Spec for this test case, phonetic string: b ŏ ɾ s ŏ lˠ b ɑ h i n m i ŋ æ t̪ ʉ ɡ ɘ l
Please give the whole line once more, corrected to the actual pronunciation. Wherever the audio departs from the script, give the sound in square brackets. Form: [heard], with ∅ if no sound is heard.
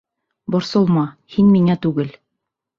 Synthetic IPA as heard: b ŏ ɾ s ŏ lˠ [m] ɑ h i n m i ŋ æ t̪ ʉ ɡ ɘ l

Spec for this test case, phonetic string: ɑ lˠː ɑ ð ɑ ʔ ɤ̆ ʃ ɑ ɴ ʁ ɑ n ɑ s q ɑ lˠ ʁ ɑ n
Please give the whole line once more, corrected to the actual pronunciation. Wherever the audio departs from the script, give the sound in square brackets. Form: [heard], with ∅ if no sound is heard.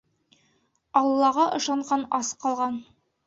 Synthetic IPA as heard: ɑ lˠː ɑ [ʁ] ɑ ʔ ɤ̆ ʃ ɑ ɴ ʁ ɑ n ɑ s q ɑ lˠ ʁ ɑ n

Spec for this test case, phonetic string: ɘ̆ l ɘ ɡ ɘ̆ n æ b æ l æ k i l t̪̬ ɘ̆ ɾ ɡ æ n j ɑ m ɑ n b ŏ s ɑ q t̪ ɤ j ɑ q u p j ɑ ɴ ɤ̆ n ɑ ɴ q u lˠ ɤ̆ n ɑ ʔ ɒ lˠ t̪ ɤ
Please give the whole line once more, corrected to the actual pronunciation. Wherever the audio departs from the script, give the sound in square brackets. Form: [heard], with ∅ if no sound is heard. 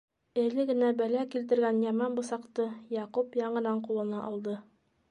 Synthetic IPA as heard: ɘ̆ l ɘ ɡ ɘ̆ n æ b æ l æ k i l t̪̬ ɘ̆ ɾ ɡ æ n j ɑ m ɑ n b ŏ s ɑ q t̪ ɤ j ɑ q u p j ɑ ɴ ɤ̆ n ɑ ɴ q u lˠ ɤ̆ n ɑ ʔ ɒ lˠ [d̪] ɤ

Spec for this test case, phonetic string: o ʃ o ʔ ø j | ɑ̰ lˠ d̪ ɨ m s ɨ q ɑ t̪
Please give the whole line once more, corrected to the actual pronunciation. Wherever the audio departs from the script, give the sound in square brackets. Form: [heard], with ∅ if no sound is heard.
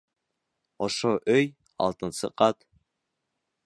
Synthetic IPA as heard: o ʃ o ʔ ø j | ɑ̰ lˠ [t̪] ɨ [n] s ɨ q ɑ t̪

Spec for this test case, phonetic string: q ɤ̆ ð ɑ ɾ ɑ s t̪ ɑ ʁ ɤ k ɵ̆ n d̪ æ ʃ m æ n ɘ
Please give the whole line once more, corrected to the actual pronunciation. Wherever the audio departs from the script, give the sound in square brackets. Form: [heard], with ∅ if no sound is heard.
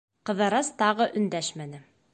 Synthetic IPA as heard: q ɤ̆ ð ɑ ɾ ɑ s t̪ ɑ ʁ ɤ [ʔ] ɵ̆ n d̪ æ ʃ m æ n ɘ

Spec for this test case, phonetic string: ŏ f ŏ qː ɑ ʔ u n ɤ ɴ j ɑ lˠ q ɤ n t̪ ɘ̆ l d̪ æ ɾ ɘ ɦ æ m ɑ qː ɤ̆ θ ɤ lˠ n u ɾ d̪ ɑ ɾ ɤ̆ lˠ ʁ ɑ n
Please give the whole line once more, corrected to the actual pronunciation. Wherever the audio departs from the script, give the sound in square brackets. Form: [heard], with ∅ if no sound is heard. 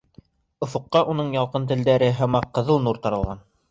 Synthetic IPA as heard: ŏ f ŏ qː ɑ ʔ u n ɤ ɴ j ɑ lˠ q ɤ n t̪ ɘ̆ l d̪ æ ɾ ɘ ɦ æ m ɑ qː ɤ̆ [ð] ɤ lˠ n u ɾ [t̪] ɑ ɾ ɤ̆ lˠ ʁ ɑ n

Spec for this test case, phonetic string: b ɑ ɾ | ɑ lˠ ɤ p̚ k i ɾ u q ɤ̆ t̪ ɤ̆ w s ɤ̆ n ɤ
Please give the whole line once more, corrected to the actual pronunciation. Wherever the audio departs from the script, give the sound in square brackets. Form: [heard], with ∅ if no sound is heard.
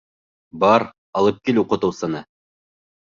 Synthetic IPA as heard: b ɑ ɾ | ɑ lˠ ɤ p̚ k i [l] u q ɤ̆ t̪ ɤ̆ w s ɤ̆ n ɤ

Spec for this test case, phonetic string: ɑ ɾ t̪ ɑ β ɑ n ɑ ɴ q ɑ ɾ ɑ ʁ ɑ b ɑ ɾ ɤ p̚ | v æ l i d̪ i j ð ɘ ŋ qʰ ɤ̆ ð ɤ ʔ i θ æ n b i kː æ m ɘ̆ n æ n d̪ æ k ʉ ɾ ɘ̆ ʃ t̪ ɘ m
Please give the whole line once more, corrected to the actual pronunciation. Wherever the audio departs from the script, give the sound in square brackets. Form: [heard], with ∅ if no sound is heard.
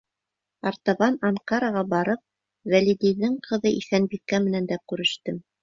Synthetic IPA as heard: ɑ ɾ t̪ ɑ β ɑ n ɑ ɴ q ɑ ɾ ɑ ʁ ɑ b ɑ ɾ ɤ p̚ | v æ l i d̪ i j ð ɘ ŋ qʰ ɤ̆ ð ɤ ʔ i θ æ n b i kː æ m ɘ̆ n æ n d̪ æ k ʉ ɾ ɘ̆ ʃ t̪ ɘ m

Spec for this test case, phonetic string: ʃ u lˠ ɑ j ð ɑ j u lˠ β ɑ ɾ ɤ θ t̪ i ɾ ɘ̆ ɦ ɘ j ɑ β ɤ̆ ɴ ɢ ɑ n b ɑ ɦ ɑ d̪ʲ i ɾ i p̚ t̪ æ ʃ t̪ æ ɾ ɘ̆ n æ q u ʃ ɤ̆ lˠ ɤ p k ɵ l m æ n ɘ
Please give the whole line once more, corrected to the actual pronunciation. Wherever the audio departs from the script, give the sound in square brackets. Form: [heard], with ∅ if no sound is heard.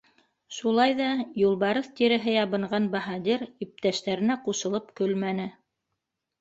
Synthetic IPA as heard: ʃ u lˠ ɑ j ð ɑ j u lˠ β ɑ ɾ ɤ θ t̪ i ɾ ɘ̆ ɦ ɘ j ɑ β ɤ̆ ɴ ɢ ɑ n b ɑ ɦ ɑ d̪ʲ i ɾ i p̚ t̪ æ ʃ t̪ æ ɾ ɘ̆ n æ q u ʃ ɤ̆ lˠ ɤ p k ɵ l m æ n ɘ

